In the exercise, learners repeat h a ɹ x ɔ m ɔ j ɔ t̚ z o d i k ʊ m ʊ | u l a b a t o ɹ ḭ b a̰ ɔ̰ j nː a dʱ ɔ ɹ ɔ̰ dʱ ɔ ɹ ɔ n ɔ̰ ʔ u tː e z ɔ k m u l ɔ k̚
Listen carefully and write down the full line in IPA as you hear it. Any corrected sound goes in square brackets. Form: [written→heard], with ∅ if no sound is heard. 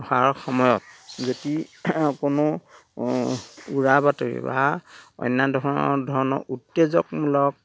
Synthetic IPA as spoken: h a ɹ x ɔ m ɔ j ɔ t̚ z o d i k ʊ [m→n] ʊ | u [l→ɹ] a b a t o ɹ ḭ b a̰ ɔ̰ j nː a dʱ ɔ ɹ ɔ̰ dʱ ɔ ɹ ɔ n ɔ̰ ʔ u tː e z ɔ k m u l ɔ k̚